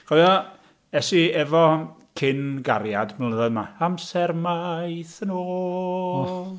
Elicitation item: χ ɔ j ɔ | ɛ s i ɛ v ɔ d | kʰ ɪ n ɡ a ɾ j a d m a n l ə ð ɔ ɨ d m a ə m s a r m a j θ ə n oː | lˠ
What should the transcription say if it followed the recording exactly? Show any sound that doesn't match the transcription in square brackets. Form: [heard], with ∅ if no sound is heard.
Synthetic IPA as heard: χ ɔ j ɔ | ɛ s i ɛ v ɔ [∅] | kʰ ɪ n ɡ a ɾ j a d m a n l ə ð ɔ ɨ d m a [a] m s [ɛ] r m a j θ ə n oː | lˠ